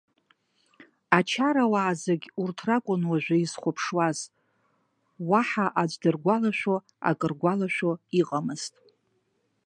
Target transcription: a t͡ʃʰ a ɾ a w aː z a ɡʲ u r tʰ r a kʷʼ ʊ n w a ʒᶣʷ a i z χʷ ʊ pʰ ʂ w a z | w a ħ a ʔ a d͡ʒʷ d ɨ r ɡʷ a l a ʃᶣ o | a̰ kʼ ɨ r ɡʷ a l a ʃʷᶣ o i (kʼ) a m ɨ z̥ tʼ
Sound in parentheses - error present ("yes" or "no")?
yes